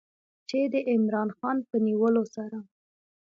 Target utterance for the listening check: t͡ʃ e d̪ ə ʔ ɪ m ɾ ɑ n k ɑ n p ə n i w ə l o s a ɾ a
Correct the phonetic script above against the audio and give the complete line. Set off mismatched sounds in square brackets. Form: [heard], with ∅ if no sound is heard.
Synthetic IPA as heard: t͡ʃ e d̪ ə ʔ ɪ m ɾ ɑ n [x] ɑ n p ə n i w ə l o s a ɾ a